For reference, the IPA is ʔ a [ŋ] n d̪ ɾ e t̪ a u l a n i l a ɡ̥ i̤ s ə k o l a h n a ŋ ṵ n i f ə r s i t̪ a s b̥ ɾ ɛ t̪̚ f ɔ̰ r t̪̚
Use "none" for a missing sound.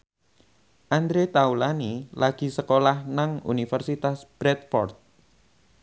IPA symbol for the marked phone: none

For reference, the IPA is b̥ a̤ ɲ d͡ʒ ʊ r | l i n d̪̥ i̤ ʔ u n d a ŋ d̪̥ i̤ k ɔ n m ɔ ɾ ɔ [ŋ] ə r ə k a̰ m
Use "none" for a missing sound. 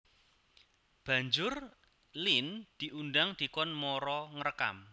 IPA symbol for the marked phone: ŋ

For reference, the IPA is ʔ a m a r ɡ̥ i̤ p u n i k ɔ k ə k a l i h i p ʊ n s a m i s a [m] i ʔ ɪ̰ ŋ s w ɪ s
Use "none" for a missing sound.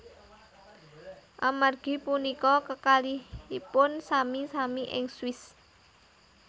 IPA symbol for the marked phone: m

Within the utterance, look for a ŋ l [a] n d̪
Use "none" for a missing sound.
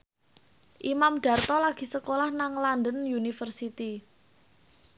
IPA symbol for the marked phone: a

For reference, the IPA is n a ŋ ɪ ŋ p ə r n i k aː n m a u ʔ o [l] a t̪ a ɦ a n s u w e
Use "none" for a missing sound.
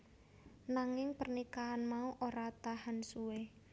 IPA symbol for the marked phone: ɾ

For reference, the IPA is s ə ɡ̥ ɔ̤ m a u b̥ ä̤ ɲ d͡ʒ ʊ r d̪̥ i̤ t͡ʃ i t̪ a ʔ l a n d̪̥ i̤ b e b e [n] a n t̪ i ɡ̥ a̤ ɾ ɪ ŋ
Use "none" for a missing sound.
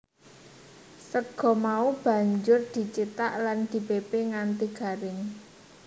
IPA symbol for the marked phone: ŋ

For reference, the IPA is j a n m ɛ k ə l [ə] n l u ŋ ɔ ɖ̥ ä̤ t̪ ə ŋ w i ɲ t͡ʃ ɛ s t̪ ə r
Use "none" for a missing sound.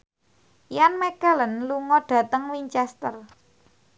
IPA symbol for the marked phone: ə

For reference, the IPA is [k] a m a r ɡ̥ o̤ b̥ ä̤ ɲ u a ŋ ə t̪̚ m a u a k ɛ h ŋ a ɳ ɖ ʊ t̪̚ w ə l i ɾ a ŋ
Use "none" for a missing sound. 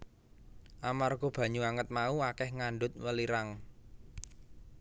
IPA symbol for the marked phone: ʔ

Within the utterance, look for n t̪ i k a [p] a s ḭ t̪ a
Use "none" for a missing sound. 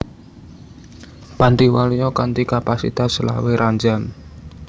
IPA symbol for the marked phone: p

